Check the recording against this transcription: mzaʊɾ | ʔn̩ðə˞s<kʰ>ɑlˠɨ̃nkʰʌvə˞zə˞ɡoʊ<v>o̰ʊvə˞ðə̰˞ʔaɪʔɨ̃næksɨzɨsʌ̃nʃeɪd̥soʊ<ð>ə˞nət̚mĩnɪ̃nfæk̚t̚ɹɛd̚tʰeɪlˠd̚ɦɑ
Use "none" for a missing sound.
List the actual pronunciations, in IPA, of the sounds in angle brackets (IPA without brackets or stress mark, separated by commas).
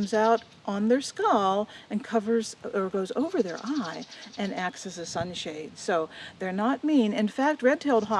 k, z, ð